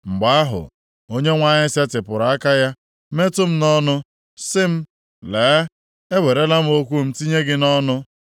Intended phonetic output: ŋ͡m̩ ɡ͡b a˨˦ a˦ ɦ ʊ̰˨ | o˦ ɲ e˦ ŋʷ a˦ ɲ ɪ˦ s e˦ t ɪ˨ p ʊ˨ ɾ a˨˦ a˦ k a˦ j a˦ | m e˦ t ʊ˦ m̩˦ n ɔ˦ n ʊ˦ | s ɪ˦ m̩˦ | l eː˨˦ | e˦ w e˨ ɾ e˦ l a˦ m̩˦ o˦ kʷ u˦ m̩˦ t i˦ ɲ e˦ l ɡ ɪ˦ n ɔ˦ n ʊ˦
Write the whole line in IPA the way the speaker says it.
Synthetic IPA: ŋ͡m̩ ɡ͡b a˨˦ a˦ ɦ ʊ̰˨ | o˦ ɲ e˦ ŋʷ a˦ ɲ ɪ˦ s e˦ t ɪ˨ p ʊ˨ ɾ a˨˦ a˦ k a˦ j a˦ | m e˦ t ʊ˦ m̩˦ n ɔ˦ n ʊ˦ | s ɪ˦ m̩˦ | l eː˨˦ | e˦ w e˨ ɾ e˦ l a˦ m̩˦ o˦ kʷ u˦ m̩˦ t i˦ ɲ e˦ ɡ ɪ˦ n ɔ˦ n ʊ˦

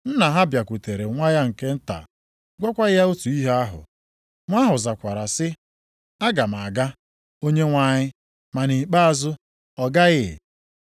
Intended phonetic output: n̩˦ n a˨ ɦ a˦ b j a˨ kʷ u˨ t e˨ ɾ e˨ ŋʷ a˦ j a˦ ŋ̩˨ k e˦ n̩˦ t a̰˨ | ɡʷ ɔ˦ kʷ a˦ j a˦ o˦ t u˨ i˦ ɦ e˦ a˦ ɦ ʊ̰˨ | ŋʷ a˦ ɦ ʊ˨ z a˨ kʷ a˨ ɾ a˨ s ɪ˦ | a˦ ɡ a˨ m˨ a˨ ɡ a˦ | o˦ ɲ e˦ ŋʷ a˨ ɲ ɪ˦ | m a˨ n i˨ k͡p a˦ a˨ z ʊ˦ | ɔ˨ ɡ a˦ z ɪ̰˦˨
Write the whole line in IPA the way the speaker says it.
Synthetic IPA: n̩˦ n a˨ ɦ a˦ b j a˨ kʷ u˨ t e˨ ɾ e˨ ŋʷ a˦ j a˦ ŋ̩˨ k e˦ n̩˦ t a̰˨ | ɡʷ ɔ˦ kʷ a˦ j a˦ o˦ t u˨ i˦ ɦ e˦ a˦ ɦ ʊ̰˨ | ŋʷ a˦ ɦ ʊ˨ z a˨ kʷ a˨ ɾ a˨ s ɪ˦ | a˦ ɡ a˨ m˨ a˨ ɡ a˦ | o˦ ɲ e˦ ŋʷ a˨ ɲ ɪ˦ | m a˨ n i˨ k͡p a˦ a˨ z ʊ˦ | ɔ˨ ɡ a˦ ɣ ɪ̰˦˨

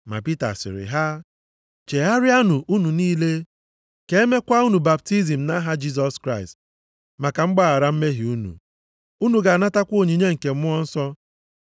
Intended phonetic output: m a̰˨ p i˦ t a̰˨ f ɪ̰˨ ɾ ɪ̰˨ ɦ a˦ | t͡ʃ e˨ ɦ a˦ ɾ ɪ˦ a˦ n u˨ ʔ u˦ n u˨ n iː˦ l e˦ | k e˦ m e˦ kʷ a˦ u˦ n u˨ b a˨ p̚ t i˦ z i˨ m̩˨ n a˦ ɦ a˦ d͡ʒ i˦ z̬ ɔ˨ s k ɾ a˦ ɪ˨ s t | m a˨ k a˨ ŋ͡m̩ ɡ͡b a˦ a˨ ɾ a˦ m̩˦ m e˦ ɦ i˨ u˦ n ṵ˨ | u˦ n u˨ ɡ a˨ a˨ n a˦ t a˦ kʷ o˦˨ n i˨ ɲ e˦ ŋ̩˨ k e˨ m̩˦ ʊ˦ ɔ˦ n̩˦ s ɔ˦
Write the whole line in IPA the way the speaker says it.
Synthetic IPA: m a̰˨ p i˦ t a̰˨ s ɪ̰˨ ɾ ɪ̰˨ ɦ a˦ | t͡ʃ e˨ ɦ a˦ ɾ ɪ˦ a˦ n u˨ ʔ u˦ n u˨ n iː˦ l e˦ | k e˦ m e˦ kʷ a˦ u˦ n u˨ b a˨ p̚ t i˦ z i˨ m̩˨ n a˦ ɦ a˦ d͡ʒ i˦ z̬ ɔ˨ s k ɾ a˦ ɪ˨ s t | m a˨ k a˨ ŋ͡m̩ ɡ͡b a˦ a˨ ɾ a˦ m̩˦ m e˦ ɦ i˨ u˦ n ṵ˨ | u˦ n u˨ ɡ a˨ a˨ n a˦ t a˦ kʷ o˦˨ ɲ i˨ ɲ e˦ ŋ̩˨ k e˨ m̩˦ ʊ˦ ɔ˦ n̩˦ s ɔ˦

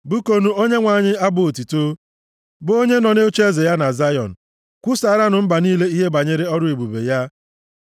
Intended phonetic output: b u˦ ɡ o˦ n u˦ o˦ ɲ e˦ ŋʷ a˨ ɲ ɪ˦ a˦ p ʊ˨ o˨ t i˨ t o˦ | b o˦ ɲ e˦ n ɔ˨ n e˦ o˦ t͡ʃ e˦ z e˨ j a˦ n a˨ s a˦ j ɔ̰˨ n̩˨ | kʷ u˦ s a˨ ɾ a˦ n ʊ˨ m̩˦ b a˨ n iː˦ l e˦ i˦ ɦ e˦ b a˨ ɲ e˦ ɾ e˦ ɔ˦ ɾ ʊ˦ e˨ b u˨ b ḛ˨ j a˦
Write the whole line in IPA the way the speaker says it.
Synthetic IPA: b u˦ k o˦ n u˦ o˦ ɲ e˦ ŋʷ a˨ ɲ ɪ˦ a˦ b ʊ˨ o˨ t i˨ t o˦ | b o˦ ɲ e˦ n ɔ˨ n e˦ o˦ t͡ʃ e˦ z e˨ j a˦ n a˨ z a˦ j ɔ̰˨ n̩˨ | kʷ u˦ s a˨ ɾ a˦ n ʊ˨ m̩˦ b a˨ n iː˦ l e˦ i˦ ɦ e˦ b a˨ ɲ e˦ ɾ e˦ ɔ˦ ɾ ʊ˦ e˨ b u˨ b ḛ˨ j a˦

